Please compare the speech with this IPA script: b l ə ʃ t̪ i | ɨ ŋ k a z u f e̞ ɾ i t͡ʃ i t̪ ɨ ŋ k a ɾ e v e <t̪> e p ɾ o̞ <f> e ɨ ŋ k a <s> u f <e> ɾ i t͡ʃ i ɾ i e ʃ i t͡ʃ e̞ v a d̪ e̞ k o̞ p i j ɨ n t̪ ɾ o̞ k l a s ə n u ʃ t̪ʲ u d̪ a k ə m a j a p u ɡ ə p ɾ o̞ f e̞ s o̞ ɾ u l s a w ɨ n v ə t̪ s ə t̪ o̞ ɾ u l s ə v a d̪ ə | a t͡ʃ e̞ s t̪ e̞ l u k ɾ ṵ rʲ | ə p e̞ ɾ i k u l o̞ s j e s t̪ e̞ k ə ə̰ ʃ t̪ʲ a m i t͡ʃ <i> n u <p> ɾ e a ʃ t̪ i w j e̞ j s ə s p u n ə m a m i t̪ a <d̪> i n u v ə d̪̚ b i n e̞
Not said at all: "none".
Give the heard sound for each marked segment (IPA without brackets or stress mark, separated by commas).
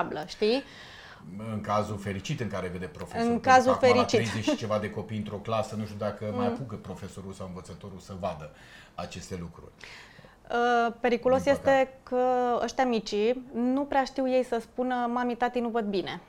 d̪, f, z, e, i, p, t̪